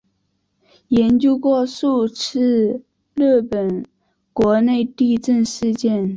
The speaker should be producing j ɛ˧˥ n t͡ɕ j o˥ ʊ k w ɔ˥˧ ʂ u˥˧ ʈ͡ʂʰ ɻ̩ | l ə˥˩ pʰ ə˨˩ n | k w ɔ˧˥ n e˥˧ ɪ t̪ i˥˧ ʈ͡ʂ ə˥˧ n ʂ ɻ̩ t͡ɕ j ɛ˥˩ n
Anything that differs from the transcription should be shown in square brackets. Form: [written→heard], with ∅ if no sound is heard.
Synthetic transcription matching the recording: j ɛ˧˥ n t͡ɕ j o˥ ʊ k w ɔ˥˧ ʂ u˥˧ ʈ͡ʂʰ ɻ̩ | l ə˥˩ [pʰ→p] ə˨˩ n | k w ɔ˧˥ n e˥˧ ɪ t̪ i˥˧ ʈ͡ʂ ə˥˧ n ʂ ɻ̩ t͡ɕ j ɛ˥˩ n

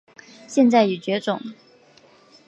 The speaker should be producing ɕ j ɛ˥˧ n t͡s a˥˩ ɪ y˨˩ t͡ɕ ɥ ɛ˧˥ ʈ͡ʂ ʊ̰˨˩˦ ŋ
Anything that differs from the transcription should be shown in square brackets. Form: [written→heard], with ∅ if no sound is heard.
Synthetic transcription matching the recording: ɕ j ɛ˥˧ n t͡s a˥˩ ɪ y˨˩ t͡ɕ ɥ ɛ˧˥ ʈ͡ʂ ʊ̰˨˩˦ ŋ

